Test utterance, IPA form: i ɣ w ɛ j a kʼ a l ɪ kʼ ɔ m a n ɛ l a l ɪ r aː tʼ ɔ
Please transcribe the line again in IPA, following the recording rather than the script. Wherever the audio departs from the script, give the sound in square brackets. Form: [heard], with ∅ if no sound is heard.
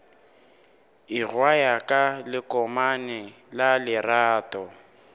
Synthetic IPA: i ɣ w [a] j a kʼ a l ɪ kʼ ɔ m a n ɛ l a l ɪ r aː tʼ ɔ